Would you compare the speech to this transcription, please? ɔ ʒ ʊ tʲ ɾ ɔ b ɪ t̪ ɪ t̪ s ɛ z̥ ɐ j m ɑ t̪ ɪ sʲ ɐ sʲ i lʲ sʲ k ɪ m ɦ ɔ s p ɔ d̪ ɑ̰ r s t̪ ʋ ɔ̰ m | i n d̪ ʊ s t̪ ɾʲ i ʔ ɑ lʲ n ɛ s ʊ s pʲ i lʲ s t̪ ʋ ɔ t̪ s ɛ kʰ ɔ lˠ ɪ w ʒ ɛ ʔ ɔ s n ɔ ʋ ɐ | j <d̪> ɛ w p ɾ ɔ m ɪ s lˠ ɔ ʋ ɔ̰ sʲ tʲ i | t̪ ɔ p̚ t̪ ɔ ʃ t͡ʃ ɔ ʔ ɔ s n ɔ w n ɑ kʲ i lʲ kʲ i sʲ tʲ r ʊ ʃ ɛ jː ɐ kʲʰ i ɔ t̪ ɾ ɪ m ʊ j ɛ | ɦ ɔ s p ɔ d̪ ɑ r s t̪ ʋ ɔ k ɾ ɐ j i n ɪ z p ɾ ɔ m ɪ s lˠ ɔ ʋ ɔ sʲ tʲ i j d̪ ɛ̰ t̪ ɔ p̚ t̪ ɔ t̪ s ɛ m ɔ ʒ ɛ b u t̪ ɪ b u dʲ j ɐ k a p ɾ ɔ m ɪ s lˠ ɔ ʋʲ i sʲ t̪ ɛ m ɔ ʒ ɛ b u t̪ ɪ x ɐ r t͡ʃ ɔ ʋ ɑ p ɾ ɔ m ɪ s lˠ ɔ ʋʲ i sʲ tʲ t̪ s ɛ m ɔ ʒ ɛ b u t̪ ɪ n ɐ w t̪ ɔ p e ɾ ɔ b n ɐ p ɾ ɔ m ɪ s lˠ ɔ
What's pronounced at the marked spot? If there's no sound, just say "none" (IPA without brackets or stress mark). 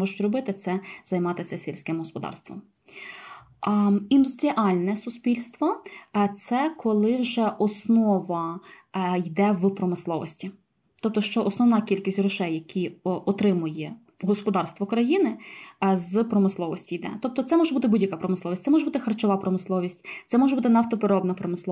d̪